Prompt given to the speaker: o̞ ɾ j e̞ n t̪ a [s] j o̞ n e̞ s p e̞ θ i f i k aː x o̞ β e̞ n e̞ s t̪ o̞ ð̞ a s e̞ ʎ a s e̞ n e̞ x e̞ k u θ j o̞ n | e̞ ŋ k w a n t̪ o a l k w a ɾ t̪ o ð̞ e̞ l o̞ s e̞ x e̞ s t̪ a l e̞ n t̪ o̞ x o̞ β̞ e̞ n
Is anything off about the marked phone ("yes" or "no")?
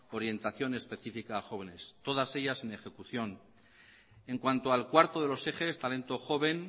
yes